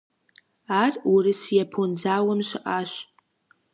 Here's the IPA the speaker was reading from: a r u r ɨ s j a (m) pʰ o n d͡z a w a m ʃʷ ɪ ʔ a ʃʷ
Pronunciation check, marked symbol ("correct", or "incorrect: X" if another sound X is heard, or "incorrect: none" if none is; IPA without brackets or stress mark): incorrect: none